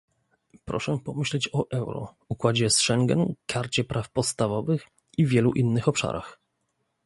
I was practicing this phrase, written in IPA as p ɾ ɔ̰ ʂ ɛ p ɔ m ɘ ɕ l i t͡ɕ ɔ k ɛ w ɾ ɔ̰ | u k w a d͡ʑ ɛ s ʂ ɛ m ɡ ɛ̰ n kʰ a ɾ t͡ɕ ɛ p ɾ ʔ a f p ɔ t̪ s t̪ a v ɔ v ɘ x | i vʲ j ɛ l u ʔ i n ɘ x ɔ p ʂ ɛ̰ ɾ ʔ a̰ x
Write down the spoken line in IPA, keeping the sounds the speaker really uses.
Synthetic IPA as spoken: p ɾ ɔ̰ ʂ ɛ p ɔ m ɘ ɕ l ɛ t͡ɕ ɔ ʔ ɛ w ɾ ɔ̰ | u k w a d͡ʑ ɛ s ʂ ɛ ŋ ɡ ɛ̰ n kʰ a ɾ t͡ɕ ɛ p ɾ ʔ a f p ɔ t̪ s t̪ a v ɔ v ɘ x | i vʲ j ɛ l u ʔ i nː ɘ x ɔ p ʂ a̰ ɾ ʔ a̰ x